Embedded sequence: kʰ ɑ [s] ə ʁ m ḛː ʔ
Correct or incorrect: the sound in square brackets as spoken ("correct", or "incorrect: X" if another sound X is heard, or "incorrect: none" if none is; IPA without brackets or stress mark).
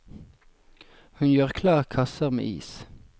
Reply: correct